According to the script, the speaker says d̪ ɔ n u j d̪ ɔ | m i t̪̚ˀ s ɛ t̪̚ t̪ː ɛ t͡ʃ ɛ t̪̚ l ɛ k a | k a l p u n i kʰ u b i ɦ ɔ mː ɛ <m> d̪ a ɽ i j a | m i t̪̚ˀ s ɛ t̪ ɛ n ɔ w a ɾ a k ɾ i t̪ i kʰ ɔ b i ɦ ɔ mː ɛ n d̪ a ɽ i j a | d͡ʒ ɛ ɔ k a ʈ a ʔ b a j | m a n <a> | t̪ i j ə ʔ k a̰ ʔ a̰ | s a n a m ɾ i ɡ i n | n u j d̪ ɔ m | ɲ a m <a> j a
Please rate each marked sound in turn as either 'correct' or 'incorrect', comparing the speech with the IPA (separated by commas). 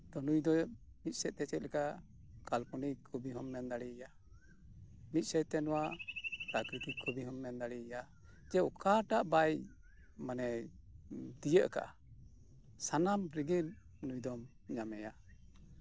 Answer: incorrect, incorrect, incorrect